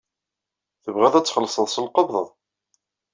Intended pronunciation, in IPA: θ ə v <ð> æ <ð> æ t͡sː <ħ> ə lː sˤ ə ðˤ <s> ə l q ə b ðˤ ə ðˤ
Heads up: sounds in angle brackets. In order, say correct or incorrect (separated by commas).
incorrect, correct, incorrect, correct